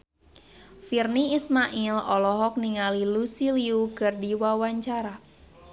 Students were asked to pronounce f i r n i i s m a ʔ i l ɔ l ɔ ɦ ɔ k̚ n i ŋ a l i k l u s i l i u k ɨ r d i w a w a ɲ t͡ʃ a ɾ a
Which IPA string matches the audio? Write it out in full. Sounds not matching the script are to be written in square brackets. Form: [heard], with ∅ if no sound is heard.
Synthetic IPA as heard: f i r n i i s m a ʔ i l ɔ l ɔ ɦ ɔ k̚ n i ŋ a l i [∅] l u s i l i u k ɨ r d i w a w a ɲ t͡ʃ a ɾ a